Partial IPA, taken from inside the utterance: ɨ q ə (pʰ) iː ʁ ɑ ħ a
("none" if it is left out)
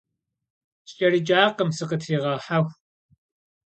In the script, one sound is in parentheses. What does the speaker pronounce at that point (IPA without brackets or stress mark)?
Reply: tʰ